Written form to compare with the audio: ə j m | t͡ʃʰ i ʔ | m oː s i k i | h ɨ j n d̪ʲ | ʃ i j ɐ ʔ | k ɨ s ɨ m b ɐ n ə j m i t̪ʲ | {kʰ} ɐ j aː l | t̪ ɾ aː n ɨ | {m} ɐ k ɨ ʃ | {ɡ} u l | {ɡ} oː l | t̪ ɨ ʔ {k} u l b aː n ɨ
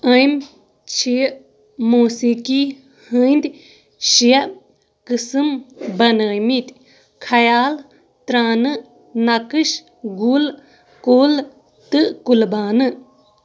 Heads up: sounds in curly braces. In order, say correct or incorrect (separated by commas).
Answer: correct, incorrect, correct, incorrect, correct